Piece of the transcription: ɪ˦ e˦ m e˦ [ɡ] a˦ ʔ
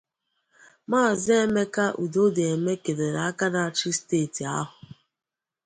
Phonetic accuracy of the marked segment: incorrect: k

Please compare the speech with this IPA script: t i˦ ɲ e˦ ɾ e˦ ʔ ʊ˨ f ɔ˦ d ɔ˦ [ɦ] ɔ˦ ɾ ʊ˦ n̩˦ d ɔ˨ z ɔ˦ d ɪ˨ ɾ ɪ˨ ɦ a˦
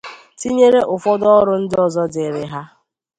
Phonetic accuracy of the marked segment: incorrect: none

